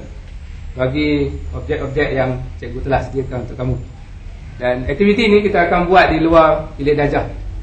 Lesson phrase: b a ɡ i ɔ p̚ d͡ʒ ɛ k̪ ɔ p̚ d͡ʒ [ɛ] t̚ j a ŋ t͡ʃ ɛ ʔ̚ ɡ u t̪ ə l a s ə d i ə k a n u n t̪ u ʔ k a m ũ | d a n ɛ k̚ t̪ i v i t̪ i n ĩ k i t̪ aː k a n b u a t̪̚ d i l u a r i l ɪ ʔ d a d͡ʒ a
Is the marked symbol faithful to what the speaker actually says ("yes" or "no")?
yes